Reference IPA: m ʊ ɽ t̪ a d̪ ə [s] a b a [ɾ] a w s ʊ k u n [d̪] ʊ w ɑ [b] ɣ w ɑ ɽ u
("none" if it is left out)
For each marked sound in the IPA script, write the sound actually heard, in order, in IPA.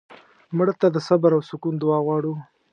s, ɾ, d̪, none

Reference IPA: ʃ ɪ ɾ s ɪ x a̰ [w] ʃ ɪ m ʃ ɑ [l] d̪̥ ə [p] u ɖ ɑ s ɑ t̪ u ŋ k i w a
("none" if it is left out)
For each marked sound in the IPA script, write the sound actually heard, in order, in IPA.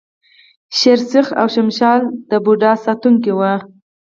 w, l, b

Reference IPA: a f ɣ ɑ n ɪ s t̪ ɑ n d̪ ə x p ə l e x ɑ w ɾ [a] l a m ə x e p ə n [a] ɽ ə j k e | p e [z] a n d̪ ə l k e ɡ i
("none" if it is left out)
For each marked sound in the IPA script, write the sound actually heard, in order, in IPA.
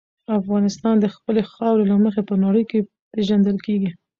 e, ɑ, ʒ

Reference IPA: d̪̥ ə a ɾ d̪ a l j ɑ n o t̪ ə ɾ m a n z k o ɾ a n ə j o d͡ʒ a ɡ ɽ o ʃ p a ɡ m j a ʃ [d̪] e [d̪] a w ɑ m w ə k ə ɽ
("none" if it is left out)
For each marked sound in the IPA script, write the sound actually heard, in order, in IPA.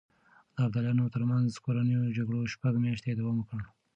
t̪, d̪

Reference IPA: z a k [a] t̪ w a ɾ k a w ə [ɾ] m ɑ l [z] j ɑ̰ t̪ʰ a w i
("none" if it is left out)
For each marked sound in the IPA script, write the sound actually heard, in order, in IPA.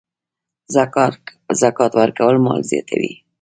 ɑ, l, z

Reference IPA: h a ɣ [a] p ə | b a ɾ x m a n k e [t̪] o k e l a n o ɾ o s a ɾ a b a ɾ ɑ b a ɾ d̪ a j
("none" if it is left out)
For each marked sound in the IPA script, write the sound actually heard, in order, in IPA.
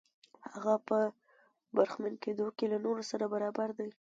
a, d̪

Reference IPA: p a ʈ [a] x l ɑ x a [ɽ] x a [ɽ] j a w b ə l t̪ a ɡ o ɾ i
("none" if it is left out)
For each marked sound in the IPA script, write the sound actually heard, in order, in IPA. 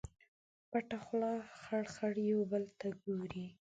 a, ɽ, ɽ

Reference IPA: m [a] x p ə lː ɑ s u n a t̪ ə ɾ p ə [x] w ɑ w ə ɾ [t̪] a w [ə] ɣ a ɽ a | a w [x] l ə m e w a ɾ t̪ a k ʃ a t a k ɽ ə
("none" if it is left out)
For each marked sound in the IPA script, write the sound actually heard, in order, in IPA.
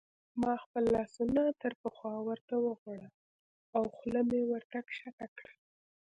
ɑ, x, t̪, ə, x

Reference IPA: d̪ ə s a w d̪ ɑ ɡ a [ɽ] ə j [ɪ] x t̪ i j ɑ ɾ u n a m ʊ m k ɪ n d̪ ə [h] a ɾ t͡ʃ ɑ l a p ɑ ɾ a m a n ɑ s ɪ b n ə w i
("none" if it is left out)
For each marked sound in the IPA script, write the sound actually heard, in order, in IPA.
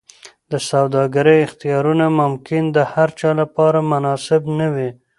ɾ, ɪ, h

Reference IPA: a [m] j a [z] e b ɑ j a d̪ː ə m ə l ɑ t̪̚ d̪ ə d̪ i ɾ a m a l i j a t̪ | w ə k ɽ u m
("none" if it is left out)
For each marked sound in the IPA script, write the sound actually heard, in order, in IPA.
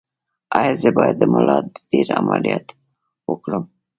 none, z

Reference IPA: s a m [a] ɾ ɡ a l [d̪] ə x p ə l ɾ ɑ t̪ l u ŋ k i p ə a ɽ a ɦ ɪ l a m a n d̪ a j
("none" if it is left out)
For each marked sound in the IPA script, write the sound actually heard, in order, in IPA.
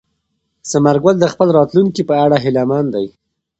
a, d̪

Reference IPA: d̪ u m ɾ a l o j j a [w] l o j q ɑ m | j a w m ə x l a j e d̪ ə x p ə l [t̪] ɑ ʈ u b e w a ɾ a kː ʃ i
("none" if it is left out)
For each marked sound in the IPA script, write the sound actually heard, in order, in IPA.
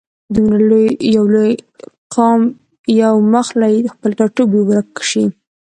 w, t̪

